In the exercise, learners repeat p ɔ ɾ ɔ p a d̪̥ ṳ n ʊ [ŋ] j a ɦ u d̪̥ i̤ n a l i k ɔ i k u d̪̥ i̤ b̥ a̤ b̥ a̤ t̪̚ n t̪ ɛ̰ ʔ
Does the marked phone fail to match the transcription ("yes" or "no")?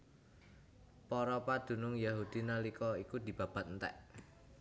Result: no